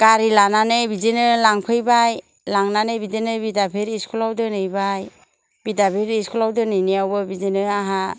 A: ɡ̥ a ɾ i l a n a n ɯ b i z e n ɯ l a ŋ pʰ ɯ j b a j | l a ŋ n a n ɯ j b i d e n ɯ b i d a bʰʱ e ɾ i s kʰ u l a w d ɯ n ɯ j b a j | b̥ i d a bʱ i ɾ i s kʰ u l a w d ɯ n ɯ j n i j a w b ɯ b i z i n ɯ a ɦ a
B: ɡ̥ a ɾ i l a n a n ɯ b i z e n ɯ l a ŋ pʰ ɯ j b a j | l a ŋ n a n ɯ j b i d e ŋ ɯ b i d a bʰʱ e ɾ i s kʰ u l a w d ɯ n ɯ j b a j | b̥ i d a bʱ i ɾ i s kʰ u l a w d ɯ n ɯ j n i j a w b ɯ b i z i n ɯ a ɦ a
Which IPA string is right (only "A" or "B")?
A